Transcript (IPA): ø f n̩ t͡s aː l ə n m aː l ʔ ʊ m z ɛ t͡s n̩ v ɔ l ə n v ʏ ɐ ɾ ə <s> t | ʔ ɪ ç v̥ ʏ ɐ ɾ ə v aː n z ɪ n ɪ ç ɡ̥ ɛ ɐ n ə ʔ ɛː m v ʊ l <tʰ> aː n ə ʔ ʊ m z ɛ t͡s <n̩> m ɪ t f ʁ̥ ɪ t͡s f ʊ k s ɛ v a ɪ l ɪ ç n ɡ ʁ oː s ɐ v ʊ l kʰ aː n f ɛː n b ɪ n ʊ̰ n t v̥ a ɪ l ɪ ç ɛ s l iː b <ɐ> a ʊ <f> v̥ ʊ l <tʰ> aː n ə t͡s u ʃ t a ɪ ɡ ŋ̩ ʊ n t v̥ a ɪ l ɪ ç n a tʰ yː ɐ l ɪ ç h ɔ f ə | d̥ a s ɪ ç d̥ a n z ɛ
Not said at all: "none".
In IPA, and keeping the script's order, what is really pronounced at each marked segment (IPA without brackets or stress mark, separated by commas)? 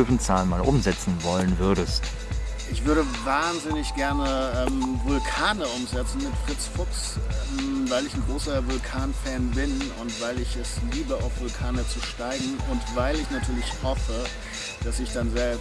s, kʰ, n̩, ə, f, kʰ